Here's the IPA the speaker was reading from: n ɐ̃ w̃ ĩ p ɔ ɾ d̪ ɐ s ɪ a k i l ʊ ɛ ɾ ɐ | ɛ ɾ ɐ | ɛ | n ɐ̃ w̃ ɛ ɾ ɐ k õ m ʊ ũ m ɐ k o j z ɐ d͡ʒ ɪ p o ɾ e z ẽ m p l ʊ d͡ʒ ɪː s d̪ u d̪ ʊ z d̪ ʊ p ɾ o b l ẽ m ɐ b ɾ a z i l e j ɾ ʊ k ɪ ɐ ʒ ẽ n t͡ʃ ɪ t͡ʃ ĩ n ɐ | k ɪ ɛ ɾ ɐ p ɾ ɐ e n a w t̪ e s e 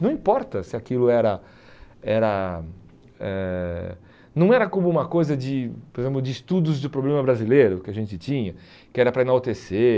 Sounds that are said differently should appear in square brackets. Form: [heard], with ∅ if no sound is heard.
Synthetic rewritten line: n ɐ̃ w̃ ĩ p ɔ ɾ [t̪] ɐ s ɪ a k i l ʊ ɛ ɾ ɐ | ɛ ɾ ɐ | ɛ | n ɐ̃ w̃ ɛ ɾ ɐ k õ m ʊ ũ m ɐ k o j z ɐ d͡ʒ ɪ p o ɾ e z ẽ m p l ʊ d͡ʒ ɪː s [t̪] u d̪ ʊ z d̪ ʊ p ɾ o b l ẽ m ɐ b ɾ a z i l e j ɾ ʊ k ɪ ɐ ʒ ẽ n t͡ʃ ɪ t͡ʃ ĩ [ɲ] ɐ | k ɪ ɛ ɾ ɐ p ɾ ɐ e n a w t̪ e s e

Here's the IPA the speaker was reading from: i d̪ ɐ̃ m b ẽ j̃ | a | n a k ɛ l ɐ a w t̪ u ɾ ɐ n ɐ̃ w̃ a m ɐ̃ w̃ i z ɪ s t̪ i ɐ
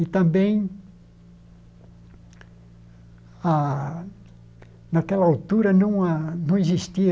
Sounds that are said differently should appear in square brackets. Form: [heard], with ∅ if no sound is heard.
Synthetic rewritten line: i [t̪] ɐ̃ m b ẽ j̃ | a | n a k ɛ l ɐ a w t̪ u ɾ ɐ n ɐ̃ w̃ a [n] ɐ̃ w̃ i z [i] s t̪ i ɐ

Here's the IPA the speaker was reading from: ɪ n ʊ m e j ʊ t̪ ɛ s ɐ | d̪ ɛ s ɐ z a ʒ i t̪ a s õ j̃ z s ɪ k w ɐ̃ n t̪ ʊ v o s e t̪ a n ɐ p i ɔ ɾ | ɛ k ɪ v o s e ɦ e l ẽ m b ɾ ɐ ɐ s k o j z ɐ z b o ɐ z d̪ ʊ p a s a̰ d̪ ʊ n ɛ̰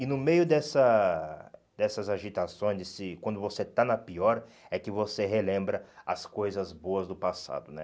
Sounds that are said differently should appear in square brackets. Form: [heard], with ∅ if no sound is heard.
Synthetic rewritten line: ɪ n ʊ m e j ʊ [d̪] ɛ s ɐ | d̪ ɛ s ɐ z a ʒ i t̪ a s õ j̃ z s ɪ k w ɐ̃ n [d̪] ʊ v o s e t̪ a n ɐ p i ɔ ɾ | ɛ k ɪ v o s e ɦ e l ẽ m b ɾ ɐ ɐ s k o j z ɐ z b o ɐ z d̪ ʊ p a s a̰ d̪ ʊ n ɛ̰

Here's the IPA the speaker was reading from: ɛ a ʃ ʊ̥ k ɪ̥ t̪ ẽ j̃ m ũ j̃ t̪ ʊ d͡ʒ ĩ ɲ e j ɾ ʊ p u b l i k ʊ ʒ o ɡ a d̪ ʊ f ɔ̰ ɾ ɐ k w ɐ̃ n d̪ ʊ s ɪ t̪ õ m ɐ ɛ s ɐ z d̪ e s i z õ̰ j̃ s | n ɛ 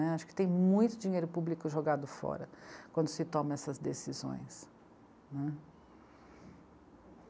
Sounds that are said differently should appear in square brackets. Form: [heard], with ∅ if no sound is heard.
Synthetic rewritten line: ɛ a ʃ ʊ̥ k ɪ̥ t̪ ẽ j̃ m ũ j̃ t̪ ʊ d͡ʒ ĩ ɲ e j ɾ ʊ p u b l i k ʊ ʒ o ɡ a d̪ ʊ f ɔ̰ ɾ ɐ k w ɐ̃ n d̪ ʊ s ɪ t̪ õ m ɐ ɛ s ɐ z d̪ e s i z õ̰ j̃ s | n ɛ

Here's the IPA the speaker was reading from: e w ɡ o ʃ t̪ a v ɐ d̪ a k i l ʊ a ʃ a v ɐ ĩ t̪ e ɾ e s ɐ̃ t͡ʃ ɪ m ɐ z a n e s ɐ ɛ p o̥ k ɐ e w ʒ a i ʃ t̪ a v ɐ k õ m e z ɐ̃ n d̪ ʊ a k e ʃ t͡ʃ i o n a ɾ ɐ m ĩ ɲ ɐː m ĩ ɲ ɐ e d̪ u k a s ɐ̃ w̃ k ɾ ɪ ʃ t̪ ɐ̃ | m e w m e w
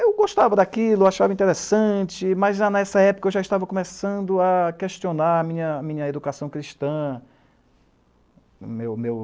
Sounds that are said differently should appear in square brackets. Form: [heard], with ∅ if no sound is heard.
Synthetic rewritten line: e w ɡ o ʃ t̪ a v ɐ d̪ a k i l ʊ a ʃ a v ɐ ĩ t̪ e ɾ e s ɐ̃ t͡ʃ ɪ m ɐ z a n [ɛ] s ɐ ɛ p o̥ k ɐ e w ʒ a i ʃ t̪ a v ɐ k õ m e [s] ɐ̃ n d̪ ʊ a k e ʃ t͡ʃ i o n a ɾ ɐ m ĩ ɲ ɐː m ĩ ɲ ɐ e d̪ u k a s ɐ̃ w̃ k ɾ [i] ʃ t̪ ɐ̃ | m e w m e w

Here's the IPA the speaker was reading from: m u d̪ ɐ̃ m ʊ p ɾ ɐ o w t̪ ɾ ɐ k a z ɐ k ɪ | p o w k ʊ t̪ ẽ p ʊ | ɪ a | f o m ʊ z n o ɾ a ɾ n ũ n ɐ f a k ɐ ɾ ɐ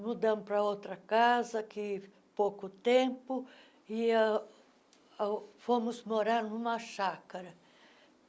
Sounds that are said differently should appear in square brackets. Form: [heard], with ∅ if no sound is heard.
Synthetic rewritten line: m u d̪ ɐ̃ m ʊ p ɾ ɐ o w t̪ ɾ ɐ k a z ɐ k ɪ | p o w k ʊ t̪ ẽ p ʊ | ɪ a | f o m ʊ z [m] o ɾ a ɾ n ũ [m] ɐ [ʃ] a k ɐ ɾ ɐ

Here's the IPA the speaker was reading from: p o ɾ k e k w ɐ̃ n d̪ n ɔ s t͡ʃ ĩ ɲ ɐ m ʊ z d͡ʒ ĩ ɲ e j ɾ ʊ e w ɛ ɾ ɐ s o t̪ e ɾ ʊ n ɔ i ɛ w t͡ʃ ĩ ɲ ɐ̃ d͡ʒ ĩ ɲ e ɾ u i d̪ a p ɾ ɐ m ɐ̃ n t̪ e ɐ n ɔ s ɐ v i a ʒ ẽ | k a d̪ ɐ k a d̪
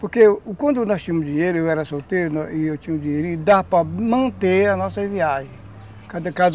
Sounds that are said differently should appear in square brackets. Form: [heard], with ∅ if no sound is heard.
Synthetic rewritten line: p o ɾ k e k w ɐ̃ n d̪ n ɔ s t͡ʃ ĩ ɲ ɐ m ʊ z d͡ʒ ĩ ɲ e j ɾ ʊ e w ɛ ɾ ɐ s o t̪ e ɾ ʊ n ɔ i [e] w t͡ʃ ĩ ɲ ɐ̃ d͡ʒ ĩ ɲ e ɾ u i d̪ a p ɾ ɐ m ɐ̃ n t̪ e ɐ n ɔ s ɐ v i a ʒ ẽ | k a d̪ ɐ k a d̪

